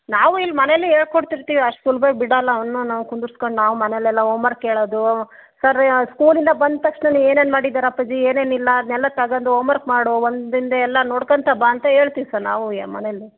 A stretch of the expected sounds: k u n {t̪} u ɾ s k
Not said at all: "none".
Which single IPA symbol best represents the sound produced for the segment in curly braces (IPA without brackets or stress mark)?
d̪